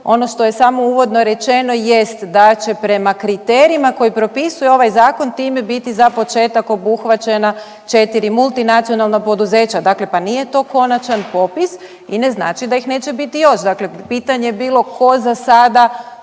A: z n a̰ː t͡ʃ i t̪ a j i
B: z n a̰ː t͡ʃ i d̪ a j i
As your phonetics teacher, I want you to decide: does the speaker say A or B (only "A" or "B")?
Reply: B